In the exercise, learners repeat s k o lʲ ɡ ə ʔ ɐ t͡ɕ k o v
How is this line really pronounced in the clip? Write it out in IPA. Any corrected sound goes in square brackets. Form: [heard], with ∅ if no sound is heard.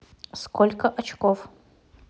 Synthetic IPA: s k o lʲ [k] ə ʔ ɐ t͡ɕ k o [f]

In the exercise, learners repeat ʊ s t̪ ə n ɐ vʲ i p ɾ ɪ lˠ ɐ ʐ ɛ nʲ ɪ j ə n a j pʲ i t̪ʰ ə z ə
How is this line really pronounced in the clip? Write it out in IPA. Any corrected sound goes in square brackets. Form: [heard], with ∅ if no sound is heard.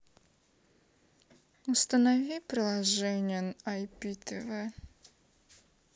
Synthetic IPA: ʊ s t̪ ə n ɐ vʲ i p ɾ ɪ lˠ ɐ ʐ ɛ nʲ ɪ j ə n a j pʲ i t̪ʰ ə [v] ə

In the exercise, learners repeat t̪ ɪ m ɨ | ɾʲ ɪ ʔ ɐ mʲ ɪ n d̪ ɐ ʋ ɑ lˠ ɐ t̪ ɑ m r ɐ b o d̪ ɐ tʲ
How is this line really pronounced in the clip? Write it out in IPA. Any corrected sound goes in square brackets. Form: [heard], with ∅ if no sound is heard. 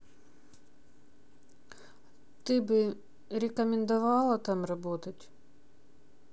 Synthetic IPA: t̪ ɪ [b] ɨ | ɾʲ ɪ [k] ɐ mʲ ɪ n d̪ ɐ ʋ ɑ lˠ ɐ t̪ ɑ m r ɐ b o [t̪] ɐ tʲ

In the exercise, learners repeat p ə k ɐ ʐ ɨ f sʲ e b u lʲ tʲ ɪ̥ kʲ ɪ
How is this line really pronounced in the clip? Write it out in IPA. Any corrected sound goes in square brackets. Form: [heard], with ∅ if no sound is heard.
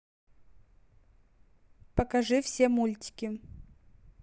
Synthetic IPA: p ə k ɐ ʐ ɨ f sʲ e [m] u lʲ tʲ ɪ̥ kʲ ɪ

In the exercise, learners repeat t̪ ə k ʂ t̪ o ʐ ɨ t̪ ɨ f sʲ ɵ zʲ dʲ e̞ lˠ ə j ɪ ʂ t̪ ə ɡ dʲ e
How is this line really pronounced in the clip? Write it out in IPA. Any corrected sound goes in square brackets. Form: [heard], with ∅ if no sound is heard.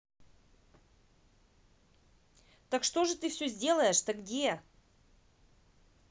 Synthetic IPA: t̪ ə k ʂ t̪ o ʐ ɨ t̪ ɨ f sʲ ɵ zʲ dʲ e̞ lˠ ə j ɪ ʂ t̪ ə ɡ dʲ e

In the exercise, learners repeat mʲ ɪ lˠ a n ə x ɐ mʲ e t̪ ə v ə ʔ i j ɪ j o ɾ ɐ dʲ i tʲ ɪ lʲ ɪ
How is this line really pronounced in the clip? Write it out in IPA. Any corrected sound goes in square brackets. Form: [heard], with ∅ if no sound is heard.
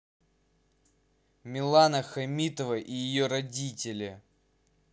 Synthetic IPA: mʲ ɪ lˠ a n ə x ɐ mʲ [i] t̪ ə v ə ʔ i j ɪ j o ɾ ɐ dʲ i tʲ ɪ lʲ ɪ

